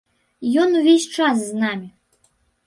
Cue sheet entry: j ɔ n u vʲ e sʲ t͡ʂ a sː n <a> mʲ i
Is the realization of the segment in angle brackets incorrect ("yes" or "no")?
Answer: no